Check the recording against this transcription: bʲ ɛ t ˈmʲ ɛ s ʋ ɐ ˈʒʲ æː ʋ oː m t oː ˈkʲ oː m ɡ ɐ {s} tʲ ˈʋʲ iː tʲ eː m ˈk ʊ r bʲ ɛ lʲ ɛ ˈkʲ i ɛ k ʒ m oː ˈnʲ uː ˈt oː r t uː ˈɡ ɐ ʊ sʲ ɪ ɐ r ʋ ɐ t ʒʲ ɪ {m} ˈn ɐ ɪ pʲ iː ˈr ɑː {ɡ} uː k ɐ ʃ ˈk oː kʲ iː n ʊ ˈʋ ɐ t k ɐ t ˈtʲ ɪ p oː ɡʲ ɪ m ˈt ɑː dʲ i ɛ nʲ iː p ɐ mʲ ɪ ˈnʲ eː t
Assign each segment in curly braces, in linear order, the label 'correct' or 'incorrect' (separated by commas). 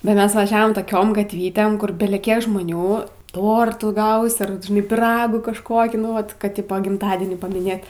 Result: incorrect, incorrect, correct